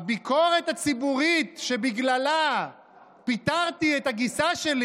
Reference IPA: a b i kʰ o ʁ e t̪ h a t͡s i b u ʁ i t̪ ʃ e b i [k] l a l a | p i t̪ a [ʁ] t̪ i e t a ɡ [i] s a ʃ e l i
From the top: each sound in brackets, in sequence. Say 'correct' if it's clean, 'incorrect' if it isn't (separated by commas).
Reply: incorrect, correct, correct